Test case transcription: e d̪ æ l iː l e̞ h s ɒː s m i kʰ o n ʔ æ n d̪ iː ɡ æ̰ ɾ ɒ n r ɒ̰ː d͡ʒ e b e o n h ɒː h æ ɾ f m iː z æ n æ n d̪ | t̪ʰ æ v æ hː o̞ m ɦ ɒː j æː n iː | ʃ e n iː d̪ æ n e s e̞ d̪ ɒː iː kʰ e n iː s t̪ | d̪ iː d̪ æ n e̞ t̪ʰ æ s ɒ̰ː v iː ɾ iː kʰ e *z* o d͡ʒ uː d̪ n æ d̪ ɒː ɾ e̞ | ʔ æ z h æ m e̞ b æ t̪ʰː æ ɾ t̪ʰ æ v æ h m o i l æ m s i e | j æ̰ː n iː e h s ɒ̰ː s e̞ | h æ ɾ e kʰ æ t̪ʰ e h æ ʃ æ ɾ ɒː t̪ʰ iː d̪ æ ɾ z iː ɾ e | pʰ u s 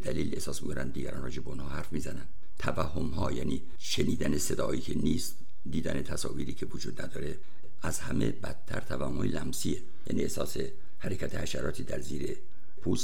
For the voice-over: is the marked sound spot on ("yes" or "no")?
no